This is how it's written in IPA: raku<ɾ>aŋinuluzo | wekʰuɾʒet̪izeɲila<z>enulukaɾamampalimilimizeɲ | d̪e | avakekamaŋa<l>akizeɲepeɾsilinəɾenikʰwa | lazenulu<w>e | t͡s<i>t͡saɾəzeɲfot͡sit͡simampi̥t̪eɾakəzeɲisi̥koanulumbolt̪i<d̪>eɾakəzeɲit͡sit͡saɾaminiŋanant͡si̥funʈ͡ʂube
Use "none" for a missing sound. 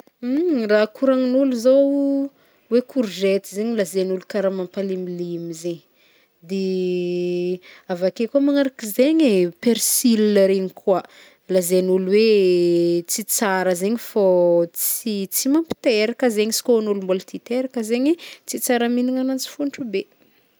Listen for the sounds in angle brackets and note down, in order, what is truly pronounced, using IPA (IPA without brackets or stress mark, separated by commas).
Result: ɾ, z, ɾ, w, i, t̪